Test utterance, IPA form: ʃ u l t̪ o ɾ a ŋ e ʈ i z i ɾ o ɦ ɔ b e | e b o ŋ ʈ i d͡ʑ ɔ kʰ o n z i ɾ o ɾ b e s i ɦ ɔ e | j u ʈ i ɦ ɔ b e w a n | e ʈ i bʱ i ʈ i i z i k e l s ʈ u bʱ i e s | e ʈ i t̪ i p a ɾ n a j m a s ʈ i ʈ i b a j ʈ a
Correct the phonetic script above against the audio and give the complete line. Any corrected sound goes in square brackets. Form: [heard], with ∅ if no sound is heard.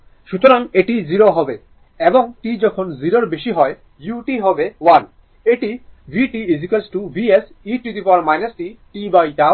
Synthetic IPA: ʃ u [∅] t̪ o ɾ a ŋ e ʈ i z i ɾ o ɦ ɔ b e | e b o ŋ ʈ i d͡ʑ ɔ kʰ o n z i ɾ o ɾ b e [ʃ] i ɦ ɔ e | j u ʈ i ɦ ɔ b e w a n | e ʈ i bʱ i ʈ i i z i k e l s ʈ u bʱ i e s | [i] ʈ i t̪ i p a ɾ [m] a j [n] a s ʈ i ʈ i b a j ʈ a